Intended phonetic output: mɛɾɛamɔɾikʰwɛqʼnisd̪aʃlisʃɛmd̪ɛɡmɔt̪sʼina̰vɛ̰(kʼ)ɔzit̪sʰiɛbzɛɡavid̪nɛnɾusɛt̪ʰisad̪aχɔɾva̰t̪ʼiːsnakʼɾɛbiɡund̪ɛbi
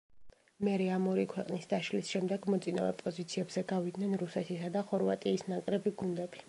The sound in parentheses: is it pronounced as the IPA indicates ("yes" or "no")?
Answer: no